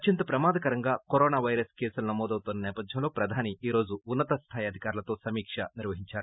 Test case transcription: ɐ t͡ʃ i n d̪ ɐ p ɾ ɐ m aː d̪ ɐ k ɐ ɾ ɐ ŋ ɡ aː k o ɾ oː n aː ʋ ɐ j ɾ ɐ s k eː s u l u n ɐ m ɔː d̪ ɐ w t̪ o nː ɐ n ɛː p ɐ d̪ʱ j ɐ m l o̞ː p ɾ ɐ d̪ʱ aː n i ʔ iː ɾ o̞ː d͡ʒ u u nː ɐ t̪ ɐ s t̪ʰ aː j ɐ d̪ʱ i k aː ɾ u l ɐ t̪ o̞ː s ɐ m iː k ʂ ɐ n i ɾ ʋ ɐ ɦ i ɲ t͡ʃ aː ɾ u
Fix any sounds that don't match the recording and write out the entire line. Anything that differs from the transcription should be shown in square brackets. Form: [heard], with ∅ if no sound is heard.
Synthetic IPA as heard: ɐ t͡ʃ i n [t̪] ɐ p ɾ ɐ m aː d̪ ɐ k ɐ ɾ ɐ ŋ ɡ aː k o ɾ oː n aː ʋ ɐ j ɾ ɐ s k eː s u l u n ɐ m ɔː d̪ ɐ w t̪ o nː ɐ n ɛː p ɐ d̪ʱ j ɐ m l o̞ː p ɾ ɐ d̪ʱ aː n i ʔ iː ɾ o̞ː d͡ʒ u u nː ɐ t̪ ɐ s t̪ʰ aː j ɐ d̪ʱ i k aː ɾ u l ɐ t̪ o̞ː s ɐ m iː k ʂ ɐ n i ɾ ʋ ɐ ɦ i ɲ t͡ʃ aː ɾ u